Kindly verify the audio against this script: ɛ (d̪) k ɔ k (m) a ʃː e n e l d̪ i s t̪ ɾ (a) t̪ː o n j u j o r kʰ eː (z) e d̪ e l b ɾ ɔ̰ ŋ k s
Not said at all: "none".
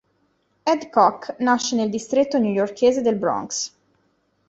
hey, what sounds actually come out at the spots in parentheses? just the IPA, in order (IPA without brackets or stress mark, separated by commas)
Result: d̪, n, e, z